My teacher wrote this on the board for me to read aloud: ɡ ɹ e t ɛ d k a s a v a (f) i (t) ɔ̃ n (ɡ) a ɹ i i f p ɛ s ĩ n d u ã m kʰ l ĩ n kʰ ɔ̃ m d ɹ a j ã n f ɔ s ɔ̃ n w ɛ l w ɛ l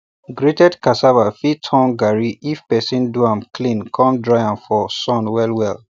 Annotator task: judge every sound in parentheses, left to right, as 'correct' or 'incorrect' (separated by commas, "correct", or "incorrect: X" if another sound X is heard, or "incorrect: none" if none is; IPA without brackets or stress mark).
correct, incorrect: tʰ, correct